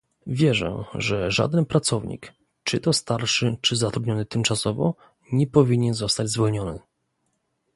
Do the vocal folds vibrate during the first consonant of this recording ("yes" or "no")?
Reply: yes